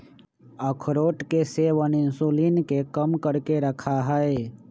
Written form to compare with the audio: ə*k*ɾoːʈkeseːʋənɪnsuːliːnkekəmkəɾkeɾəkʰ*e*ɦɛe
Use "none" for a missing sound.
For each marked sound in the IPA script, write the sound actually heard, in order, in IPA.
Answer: kʰ, a

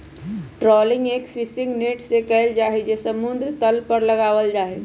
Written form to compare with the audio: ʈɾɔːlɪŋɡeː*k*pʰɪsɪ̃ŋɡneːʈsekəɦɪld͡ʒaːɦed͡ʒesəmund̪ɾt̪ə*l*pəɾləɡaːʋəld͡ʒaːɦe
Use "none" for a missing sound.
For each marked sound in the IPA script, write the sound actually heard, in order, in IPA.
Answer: k, l

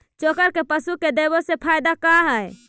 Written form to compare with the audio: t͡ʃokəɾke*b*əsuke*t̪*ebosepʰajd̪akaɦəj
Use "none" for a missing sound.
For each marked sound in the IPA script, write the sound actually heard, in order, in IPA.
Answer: p, d̪

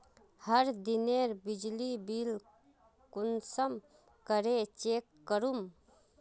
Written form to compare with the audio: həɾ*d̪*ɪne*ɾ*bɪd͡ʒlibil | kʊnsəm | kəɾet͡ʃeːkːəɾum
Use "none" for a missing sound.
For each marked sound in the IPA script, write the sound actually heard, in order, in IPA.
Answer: d̪, ɾ

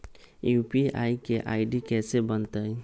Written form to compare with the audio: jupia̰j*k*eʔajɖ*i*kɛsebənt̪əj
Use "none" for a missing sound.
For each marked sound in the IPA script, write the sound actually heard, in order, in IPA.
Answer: k, i

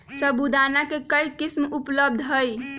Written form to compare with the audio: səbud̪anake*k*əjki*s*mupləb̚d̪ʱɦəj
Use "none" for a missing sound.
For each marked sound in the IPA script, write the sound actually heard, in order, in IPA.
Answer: k, s

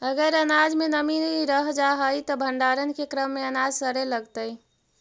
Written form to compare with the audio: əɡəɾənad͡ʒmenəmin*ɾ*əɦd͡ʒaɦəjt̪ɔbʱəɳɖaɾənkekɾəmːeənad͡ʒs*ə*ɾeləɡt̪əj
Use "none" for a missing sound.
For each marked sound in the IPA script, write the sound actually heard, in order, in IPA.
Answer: ɾ, ə

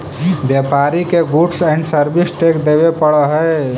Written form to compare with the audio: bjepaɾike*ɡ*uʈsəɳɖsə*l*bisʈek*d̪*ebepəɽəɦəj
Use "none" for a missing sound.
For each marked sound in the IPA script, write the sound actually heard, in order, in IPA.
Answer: ɡ, ɾ, d̪

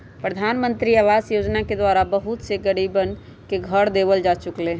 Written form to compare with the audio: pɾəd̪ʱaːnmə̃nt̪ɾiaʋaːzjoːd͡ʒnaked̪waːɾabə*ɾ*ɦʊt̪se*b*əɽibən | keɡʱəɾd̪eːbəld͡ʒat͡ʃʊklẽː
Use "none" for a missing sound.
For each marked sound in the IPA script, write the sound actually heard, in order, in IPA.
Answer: none, ɡ

